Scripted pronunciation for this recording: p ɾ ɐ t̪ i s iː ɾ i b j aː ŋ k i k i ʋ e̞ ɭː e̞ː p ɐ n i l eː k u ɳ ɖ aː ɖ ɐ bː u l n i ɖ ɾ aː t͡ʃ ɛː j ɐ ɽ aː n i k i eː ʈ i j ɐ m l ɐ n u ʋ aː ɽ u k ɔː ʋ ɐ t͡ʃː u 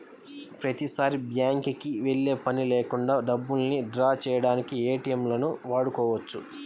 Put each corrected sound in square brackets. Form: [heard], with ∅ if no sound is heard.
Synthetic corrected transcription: p ɾ ɐ t̪ i s [aː] ɾ i b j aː ŋ k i k i ʋ e̞ ɭː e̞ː p ɐ n i l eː k u ɳ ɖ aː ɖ ɐ bː u l n i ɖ ɾ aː t͡ʃ ɛː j ɐ ɽ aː n i k i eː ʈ i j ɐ m l ɐ n u ʋ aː ɽ u k ɔː ʋ ɐ t͡ʃː u